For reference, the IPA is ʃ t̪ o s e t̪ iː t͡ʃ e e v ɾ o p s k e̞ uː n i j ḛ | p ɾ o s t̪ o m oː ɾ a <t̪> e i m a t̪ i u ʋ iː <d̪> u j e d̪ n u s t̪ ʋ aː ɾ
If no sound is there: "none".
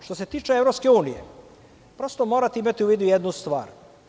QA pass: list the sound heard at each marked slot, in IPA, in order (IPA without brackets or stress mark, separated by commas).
t̪, d̪